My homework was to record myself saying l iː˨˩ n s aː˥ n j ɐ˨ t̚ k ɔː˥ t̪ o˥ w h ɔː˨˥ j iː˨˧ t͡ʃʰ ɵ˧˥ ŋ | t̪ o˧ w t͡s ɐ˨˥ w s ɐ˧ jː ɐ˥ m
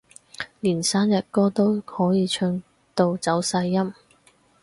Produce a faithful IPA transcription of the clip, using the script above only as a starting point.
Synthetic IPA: l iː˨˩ n s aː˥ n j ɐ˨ t̚ k ɔː˥ t̪ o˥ w h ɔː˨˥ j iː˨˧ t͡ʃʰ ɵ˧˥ ŋ | t̪ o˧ w t͡s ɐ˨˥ w s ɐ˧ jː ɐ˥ m